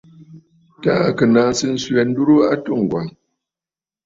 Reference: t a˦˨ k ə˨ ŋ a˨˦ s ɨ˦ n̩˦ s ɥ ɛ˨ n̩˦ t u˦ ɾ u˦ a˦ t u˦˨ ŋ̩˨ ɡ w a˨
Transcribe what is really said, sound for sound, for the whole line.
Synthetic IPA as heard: t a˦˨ k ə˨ n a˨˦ s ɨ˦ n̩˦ s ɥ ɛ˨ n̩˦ d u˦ ɾ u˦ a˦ t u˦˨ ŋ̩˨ ɡ w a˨